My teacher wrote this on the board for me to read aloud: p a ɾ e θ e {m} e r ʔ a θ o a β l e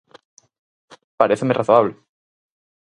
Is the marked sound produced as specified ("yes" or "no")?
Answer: yes